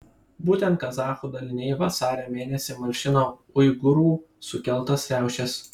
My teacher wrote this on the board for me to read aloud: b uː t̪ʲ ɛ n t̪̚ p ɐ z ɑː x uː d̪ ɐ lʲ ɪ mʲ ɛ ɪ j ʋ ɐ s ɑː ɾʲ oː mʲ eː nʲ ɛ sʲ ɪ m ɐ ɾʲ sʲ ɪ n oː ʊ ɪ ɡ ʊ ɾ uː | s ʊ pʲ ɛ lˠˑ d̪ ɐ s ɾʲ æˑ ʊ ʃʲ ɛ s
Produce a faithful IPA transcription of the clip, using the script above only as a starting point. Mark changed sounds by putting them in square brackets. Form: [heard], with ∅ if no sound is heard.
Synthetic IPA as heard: b uː t̪ʲ ɛ n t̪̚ [k] ɐ z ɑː x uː d̪ ɐ lʲ ɪ [nʲ] ɛ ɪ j ʋ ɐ s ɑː ɾʲ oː mʲ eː nʲ ɛ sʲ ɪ m ɐ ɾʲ [ʃʲ] ɪ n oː ʊ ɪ ɡ ʊ ɾ uː | s ʊ [kʲ] ɛ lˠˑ [t̪] ɐ s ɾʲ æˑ ʊ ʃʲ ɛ s